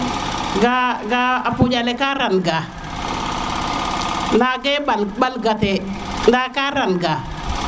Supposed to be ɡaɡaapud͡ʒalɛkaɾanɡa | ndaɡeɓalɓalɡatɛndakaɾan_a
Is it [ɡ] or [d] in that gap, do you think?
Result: ɡ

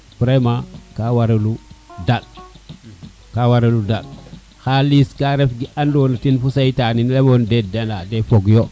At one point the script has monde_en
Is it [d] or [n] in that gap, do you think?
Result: d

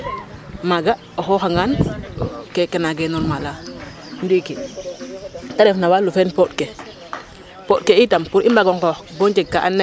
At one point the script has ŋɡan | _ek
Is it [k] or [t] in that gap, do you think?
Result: k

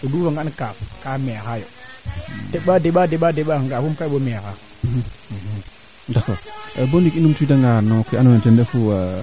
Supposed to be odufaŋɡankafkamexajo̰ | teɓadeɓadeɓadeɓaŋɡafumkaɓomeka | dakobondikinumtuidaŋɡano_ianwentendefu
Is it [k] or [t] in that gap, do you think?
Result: k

